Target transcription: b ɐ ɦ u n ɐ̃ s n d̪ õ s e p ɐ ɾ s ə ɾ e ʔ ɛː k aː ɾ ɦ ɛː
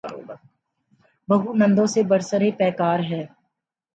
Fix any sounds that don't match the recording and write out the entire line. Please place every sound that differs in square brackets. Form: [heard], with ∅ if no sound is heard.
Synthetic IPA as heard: b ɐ ɦ u n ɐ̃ [∅] n d̪ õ s e [b] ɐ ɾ s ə ɾ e [p] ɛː k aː ɾ ɦ ɛː